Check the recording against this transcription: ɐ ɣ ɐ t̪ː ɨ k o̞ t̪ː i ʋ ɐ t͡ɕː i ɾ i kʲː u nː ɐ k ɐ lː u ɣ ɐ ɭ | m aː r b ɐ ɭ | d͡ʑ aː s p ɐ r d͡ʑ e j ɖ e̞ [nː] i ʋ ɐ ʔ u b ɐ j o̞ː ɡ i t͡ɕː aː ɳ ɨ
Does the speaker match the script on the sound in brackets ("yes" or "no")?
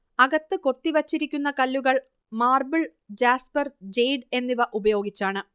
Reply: yes